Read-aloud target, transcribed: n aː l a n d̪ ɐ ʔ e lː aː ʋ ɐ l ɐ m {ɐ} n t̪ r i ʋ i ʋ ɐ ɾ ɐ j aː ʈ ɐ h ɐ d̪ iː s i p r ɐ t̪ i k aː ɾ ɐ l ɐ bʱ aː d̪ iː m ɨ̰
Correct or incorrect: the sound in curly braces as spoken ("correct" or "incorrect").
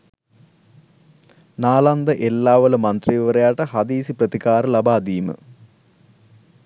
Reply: correct